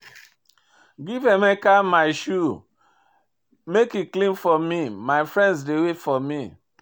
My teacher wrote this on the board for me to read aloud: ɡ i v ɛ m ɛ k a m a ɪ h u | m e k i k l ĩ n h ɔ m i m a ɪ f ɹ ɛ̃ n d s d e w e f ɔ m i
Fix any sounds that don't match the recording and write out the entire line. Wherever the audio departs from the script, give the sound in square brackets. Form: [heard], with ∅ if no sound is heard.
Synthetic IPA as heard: ɡ i v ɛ m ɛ k a m a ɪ [ʃ] u | m e k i k l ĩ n [f] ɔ m i m a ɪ f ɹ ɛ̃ n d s d e w e f ɔ m i